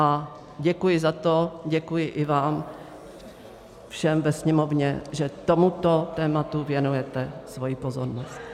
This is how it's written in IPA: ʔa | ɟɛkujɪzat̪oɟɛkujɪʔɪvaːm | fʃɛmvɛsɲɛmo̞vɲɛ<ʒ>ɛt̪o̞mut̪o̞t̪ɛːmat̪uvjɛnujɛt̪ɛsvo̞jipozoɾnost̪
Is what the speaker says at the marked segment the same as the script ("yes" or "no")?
yes